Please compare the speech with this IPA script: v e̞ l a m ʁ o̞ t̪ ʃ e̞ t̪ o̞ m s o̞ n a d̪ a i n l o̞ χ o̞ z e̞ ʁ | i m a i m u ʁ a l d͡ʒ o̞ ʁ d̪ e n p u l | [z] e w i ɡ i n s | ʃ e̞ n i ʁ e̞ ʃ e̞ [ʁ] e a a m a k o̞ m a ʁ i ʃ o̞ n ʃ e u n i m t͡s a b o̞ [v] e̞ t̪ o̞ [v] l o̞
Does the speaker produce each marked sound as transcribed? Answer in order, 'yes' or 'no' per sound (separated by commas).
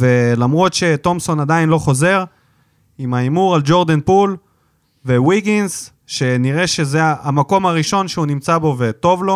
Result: no, no, yes, yes